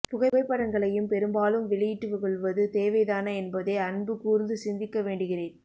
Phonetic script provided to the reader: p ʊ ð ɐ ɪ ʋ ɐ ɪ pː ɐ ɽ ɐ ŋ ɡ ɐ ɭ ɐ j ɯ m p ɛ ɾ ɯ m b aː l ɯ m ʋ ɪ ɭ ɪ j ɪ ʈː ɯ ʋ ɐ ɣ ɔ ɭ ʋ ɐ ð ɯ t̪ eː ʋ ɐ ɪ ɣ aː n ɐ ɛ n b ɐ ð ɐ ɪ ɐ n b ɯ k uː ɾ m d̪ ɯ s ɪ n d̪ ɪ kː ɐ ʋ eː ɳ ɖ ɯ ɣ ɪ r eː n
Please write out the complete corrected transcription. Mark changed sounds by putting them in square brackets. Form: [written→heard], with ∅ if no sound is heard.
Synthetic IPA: p ʊ [ð→ɣ] ɐ ɪ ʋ ɐ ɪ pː ɐ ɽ ɐ ŋ ɡ ɐ ɭ ɐ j ɯ m p ɛ ɾ ɯ m b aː l ɯ m ʋ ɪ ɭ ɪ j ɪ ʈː ɯ ʋ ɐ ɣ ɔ ɭ ʋ ɐ ð ɯ t̪ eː ʋ ɐ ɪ [ɣ→ð] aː n ɐ ɛ n b ɐ ð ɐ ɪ ɐ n b ɯ k uː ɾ [m→n] d̪ ɯ s ɪ n d̪ ɪ kː ɐ ʋ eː ɳ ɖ ɯ ɣ ɪ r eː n